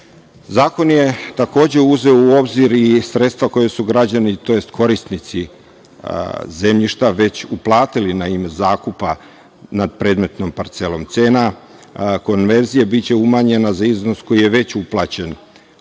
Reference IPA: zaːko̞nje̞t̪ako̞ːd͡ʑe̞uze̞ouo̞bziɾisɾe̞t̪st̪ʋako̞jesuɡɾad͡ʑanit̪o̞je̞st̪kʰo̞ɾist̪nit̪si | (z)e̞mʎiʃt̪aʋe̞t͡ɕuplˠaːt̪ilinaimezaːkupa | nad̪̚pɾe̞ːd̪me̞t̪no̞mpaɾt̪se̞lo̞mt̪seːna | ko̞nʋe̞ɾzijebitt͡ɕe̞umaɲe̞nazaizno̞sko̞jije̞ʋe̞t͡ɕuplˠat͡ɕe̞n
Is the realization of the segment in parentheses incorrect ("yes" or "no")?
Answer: no